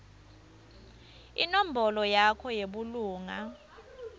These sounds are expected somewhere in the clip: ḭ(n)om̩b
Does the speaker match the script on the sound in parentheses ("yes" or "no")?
yes